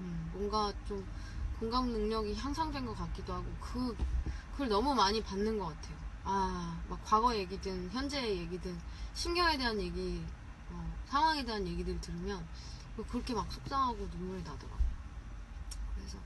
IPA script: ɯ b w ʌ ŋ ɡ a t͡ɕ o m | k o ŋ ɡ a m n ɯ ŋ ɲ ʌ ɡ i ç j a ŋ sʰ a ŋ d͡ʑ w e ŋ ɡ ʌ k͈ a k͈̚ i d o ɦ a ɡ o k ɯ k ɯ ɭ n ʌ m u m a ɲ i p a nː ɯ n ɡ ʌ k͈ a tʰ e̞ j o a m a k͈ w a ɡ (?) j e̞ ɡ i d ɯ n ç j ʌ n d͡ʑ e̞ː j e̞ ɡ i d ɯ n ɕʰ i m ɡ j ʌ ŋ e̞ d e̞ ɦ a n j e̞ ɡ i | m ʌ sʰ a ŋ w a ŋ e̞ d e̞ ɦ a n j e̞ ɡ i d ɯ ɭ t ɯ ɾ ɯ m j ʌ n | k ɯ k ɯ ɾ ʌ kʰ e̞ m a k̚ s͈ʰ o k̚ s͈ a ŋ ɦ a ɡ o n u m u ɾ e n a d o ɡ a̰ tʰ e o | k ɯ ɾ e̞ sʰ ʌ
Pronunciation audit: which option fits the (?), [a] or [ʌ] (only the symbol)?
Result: ʌ